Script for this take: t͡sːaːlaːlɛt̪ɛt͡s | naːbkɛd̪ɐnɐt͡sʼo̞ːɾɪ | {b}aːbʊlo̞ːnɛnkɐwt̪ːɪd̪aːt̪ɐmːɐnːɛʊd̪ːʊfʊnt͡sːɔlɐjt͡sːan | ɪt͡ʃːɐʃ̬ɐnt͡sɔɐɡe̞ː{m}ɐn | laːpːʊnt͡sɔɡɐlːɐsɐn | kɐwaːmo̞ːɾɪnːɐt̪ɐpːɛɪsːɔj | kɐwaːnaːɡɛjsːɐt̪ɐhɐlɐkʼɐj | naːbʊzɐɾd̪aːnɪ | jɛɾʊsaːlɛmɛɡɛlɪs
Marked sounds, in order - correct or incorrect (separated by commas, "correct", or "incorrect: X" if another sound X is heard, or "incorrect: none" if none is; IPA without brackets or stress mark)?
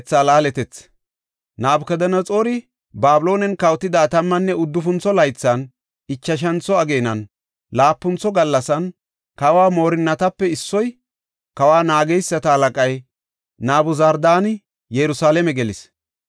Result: correct, incorrect: n